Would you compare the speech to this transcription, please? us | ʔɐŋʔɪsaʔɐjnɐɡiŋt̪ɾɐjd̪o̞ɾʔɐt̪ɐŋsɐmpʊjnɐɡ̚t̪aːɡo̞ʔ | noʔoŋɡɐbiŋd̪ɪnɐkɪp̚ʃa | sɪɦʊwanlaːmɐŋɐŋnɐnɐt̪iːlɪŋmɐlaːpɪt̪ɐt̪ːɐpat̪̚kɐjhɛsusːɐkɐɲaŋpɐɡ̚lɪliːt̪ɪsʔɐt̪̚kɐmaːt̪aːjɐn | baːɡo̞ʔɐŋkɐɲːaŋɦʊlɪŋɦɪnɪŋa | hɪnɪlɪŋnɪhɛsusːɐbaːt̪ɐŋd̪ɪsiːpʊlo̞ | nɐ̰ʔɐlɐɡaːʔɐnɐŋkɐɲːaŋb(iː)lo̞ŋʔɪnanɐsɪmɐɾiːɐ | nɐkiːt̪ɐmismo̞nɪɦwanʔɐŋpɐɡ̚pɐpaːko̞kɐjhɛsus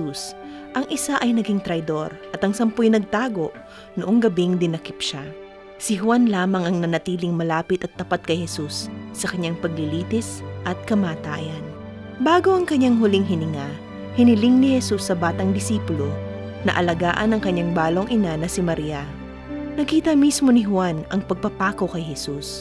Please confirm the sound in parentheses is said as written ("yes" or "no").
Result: no